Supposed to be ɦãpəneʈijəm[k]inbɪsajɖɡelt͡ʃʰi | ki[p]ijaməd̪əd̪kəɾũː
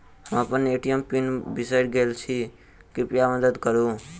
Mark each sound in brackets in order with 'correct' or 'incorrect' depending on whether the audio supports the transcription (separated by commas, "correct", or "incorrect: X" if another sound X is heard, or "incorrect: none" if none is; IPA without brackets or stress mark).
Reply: incorrect: p, correct